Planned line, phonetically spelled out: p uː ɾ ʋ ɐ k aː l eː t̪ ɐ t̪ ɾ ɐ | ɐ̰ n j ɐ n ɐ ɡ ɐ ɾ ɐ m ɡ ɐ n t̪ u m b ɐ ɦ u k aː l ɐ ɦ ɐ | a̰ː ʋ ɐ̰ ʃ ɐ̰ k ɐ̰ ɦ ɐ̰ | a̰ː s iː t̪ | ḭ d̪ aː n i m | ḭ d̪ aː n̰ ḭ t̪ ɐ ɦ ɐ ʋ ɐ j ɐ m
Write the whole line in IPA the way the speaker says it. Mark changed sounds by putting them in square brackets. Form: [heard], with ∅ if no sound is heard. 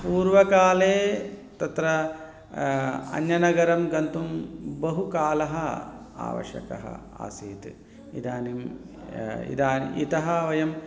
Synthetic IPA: p uː ɾ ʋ ɐ k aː l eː t̪ ɐ t̪ ɾ ɐ | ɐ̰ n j ɐ n ɐ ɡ ɐ ɾ ɐ m ɡ ɐ n t̪ u m b ɐ ɦ u k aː l ɐ ɦ ɐ | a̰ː ʋ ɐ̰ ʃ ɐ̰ k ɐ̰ ɦ ɐ̰ | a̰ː s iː t̪ | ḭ d̪ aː n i m | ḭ d̪ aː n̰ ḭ t̪ ɐ ɦ ɐ ʋ ɐ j ɐ m